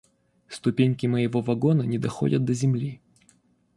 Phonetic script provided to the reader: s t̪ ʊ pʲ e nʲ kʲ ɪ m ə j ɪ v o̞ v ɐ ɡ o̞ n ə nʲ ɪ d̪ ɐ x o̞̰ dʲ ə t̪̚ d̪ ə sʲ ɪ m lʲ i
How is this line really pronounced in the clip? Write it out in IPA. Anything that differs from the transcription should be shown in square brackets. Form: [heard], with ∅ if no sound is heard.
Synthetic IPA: s t̪ ʊ pʲ e nʲ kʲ ɪ m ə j ɪ v o̞ v ɐ ɡ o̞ n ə nʲ ɪ d̪ ɐ x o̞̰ dʲ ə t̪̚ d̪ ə [zʲ] ɪ m lʲ i

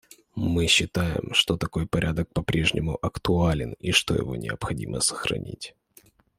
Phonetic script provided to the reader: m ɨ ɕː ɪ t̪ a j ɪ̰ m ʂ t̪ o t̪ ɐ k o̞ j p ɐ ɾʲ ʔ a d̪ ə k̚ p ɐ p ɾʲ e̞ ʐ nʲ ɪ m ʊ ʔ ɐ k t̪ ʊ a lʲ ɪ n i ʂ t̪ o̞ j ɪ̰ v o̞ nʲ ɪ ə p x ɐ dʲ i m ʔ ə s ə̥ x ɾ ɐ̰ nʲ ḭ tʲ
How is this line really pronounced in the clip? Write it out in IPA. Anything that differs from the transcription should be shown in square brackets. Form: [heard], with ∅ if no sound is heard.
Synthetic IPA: m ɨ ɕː ɪ t̪ a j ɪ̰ m ʂ t̪ o t̪ ɐ k o̞ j p ɐ ɾʲ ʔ a d̪ ə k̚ p ɐ p ɾʲ e̞ ʐ nʲ ɪ m ʊ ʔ ɐ k t̪ ʊ a lʲ ɪ n i ʂ t̪ o̞ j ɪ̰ v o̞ nʲ ɪ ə p x ɐ dʲ i m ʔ ə s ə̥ x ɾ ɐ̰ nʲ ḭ tʲ

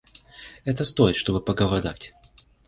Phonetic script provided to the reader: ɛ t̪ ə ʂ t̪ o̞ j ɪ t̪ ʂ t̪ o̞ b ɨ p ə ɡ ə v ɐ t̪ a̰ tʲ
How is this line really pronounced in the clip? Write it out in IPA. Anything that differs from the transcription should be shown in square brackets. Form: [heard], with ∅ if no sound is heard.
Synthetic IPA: ɛ t̪ ə [s] t̪ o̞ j ɪ t̪ ʂ t̪ o̞ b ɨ p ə ɡ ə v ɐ [d̪] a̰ tʲ

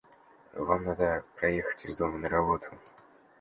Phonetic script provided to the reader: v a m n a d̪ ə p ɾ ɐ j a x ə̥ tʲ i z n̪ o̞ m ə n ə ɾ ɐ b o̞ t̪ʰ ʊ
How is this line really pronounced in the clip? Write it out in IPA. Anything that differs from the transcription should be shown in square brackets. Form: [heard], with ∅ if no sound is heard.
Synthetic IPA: v a m n a d̪ ə p ɾ ɐ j [e] x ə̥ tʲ [ɪ] z [d̪] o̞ m ə n ə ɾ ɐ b o̞ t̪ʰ ʊ

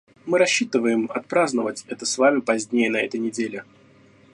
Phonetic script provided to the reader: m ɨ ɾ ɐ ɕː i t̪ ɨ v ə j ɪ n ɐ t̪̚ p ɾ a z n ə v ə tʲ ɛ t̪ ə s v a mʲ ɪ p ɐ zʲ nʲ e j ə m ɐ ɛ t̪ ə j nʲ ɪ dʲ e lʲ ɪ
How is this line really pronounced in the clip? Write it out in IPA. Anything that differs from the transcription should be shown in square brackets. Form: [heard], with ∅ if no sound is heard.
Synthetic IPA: m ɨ ɾ ɐ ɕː i t̪ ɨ v ə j ɪ [m] ɐ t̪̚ p ɾ a z n ə v ə tʲ ɛ t̪ ə s v a mʲ ɪ p ɐ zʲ nʲ e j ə [n] ɐ ɛ t̪ ə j nʲ ɪ dʲ e lʲ ɪ

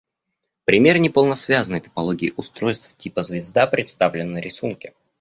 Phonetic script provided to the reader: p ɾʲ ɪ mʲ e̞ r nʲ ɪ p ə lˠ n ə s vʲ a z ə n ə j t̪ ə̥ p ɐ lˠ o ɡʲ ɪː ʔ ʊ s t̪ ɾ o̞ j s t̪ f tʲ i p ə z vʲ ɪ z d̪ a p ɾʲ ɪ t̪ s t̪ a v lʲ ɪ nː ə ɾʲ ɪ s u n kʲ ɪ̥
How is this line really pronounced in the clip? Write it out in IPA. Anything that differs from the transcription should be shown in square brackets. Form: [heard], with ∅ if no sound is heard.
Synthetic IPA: p ɾʲ ɪ mʲ e̞ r nʲ ɪ p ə lˠ n ə s vʲ a z ə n ə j t̪ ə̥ p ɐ lˠ o ɡʲ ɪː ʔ ʊ s t̪ ɾ o̞ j s t̪ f tʲ i p ə z vʲ ɪ z d̪ a p ɾʲ ɪ t̪ s t̪ a v lʲ ɪ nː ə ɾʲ ɪ s u n kʲ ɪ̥

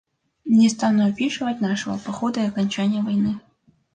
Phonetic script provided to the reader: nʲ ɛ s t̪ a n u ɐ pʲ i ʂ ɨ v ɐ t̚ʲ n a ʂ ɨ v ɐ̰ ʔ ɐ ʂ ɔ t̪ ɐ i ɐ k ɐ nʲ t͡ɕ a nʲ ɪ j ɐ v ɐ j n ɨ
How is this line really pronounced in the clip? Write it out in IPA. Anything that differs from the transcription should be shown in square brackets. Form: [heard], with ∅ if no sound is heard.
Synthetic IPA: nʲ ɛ s t̪ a n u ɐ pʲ i ʂ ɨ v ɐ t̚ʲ n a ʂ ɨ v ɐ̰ [p] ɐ [x] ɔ [d̪] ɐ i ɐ k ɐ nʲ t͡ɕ a nʲ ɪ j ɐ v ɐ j n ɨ

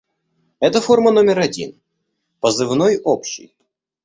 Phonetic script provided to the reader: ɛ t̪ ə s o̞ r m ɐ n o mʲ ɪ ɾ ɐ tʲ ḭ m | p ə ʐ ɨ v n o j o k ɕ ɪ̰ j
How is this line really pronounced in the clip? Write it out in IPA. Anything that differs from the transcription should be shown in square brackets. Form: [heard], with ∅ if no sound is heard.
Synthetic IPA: ɛ t̪ ə [f] o̞ r m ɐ n o mʲ ɪ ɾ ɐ [dʲ] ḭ [n] | p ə [z] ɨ v n o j o [p] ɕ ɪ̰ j

